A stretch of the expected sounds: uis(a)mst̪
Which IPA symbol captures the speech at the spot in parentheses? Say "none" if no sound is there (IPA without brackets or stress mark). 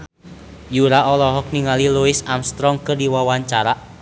a